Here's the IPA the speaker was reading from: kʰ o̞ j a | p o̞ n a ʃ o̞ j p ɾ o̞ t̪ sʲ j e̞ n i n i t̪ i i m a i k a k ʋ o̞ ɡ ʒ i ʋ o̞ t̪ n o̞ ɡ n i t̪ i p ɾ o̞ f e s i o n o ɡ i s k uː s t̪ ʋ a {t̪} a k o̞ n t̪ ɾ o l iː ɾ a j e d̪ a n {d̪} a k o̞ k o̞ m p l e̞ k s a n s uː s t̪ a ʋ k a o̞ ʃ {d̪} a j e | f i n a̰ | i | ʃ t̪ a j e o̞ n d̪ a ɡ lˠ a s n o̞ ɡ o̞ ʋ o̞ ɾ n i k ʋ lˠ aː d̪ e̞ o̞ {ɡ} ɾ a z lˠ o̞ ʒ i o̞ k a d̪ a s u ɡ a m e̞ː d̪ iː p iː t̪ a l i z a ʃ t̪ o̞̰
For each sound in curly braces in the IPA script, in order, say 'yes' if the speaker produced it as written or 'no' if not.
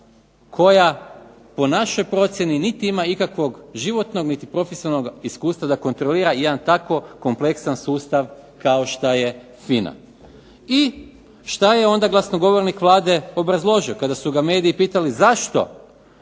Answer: no, no, no, no

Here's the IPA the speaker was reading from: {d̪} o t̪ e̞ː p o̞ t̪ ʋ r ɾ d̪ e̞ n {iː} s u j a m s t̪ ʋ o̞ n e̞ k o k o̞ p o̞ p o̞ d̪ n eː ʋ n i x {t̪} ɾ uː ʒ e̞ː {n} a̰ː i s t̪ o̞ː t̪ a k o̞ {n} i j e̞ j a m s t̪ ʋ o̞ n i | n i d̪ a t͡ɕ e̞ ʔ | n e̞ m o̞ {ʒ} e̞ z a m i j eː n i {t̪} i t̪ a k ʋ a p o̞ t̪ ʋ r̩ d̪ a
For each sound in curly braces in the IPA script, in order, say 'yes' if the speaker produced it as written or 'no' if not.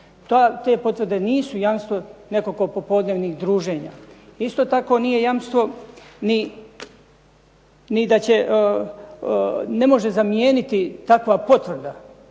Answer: no, yes, no, no, yes, yes, yes

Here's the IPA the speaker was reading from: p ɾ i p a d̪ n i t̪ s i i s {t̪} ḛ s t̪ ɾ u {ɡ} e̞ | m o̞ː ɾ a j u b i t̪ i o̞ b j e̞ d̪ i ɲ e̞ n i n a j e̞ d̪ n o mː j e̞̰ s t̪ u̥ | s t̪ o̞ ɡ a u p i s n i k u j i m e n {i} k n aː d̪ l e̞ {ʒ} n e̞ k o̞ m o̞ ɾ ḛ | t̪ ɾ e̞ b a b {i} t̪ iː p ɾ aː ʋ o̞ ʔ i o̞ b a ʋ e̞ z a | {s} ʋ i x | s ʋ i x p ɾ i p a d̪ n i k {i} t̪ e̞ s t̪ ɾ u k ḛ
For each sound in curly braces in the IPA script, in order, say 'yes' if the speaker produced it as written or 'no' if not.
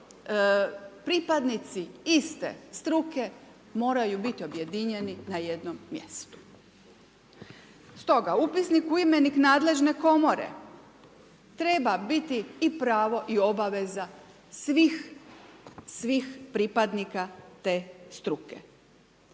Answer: yes, no, yes, yes, yes, yes, no

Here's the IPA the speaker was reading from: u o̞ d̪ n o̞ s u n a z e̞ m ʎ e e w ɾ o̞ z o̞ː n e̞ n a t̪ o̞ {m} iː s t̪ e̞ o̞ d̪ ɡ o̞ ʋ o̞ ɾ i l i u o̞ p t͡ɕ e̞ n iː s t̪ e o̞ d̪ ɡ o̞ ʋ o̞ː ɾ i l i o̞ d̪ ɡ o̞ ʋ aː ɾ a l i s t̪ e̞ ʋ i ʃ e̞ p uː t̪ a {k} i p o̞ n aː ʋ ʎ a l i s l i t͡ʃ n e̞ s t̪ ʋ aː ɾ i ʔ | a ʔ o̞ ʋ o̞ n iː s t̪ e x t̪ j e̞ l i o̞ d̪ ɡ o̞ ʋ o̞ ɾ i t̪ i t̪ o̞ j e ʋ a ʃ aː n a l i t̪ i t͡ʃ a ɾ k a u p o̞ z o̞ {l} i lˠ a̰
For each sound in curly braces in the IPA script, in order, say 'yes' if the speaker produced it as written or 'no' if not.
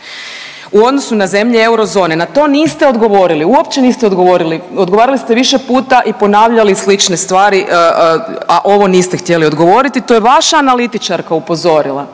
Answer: no, no, no

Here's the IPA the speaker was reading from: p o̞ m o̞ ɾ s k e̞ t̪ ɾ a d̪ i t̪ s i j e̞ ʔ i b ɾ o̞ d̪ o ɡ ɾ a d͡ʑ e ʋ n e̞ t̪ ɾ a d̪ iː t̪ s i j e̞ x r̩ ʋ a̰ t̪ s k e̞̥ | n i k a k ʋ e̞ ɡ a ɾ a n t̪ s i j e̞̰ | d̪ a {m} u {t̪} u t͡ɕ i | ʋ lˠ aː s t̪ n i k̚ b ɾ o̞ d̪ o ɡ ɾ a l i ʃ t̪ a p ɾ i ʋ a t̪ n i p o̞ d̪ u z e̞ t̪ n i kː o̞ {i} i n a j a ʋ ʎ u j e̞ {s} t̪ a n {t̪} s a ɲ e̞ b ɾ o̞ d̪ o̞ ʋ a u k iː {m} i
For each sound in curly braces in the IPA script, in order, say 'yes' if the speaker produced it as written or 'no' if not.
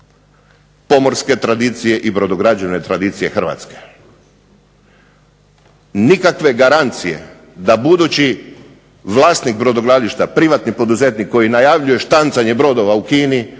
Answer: no, no, no, no, yes, no

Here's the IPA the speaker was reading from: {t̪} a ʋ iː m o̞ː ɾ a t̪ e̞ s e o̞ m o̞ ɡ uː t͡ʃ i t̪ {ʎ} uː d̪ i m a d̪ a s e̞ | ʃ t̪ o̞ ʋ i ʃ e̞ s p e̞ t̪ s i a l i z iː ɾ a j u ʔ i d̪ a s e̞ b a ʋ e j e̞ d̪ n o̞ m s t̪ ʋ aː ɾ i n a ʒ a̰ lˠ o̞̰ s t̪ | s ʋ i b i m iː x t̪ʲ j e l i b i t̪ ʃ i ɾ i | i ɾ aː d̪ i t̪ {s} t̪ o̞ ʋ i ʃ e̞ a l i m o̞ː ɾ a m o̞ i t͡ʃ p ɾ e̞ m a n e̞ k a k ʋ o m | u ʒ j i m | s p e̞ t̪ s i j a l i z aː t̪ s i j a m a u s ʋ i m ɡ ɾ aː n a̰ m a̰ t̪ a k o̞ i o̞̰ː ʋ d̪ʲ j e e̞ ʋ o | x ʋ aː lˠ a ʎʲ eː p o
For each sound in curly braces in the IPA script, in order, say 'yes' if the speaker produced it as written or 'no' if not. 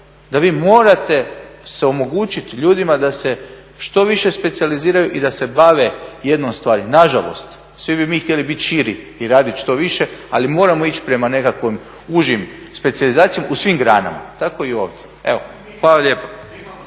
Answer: no, yes, no

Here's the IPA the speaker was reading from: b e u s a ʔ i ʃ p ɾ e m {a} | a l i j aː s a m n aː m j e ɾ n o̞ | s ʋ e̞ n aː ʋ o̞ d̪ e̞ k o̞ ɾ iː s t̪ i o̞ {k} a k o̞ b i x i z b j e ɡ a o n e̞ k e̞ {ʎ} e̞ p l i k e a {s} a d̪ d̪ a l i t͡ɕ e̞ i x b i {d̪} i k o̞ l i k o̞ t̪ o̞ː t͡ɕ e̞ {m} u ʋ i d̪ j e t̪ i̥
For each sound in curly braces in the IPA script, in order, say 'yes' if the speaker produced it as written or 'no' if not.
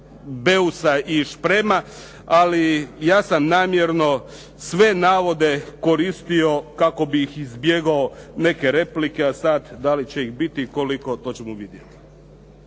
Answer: yes, yes, no, yes, no, yes

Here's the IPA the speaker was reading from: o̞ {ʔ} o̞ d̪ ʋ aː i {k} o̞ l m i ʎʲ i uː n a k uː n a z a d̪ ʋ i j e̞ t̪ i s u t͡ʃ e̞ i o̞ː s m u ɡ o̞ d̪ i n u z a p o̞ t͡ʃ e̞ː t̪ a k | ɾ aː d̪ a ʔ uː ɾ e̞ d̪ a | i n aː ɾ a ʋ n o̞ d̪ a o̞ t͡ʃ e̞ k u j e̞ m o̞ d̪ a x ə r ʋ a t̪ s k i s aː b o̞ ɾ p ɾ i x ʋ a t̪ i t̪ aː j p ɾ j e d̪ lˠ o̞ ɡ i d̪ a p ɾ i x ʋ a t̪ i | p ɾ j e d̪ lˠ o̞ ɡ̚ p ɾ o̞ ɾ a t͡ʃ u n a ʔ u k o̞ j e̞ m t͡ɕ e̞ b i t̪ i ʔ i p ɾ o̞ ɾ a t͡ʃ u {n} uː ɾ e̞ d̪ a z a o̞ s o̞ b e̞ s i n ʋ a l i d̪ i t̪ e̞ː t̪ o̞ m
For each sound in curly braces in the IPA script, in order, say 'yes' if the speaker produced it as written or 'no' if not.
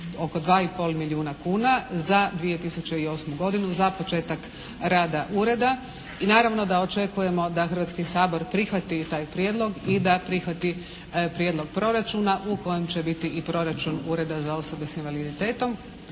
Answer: no, no, yes

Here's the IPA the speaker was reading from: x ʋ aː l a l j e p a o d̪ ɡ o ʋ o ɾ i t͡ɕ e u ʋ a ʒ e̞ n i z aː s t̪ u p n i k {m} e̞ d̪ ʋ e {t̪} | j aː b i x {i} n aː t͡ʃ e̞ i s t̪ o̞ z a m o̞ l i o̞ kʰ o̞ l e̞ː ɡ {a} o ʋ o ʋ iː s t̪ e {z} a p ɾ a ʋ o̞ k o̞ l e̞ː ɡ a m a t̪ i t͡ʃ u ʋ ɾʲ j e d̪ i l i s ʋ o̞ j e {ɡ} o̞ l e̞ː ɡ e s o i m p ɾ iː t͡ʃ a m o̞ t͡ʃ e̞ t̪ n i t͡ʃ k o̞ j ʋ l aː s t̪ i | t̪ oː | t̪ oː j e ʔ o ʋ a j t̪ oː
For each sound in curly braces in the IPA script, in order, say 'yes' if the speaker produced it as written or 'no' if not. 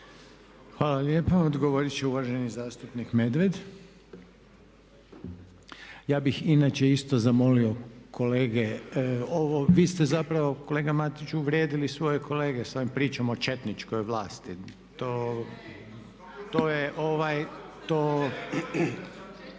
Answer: yes, no, yes, no, yes, no

